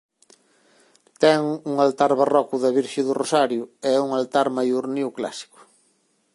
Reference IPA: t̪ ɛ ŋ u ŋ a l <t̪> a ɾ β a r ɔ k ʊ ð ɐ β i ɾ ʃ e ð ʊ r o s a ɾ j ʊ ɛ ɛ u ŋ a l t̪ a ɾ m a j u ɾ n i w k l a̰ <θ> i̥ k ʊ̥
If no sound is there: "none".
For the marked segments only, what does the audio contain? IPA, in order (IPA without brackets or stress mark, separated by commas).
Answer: t̪, s